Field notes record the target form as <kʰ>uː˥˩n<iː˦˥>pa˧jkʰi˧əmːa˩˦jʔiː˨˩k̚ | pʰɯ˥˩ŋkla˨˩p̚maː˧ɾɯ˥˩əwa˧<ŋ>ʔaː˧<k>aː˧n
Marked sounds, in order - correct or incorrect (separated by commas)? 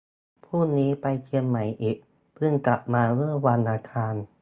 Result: incorrect, correct, incorrect, incorrect